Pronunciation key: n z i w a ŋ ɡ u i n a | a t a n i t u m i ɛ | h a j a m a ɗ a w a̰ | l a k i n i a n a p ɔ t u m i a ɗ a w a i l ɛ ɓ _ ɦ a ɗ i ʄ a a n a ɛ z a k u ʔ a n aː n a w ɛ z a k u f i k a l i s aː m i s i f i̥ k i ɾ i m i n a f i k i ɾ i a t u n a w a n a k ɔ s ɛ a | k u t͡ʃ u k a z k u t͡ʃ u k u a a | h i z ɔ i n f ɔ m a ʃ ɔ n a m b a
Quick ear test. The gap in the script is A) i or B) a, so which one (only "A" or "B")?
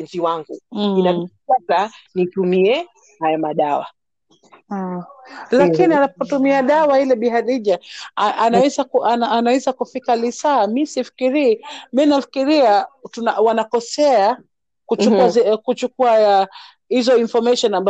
A